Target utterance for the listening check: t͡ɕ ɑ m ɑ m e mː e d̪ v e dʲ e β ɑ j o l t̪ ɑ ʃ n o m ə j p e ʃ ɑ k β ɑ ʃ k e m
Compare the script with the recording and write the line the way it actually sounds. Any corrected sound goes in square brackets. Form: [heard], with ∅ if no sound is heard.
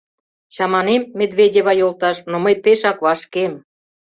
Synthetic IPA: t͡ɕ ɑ m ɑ [n] e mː e d̪ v e dʲ e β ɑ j o l t̪ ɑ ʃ n o m ə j p e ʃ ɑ k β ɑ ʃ k e m